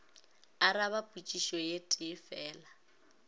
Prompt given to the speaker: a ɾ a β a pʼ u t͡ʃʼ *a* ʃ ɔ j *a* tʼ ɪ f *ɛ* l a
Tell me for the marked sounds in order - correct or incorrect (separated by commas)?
incorrect, incorrect, incorrect